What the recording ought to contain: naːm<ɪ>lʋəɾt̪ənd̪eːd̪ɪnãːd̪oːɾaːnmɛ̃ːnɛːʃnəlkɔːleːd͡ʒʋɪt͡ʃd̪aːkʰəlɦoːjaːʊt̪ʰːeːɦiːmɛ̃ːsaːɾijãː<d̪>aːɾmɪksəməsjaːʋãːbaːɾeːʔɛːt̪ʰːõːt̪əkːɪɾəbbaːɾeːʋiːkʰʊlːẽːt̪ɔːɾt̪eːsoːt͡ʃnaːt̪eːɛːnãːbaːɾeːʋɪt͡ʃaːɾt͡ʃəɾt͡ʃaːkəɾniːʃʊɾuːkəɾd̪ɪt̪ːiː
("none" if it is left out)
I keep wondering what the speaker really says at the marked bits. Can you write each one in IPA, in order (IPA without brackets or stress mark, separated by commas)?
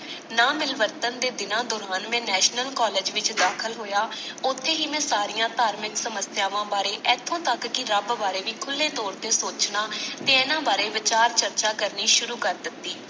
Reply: ɪ, t̪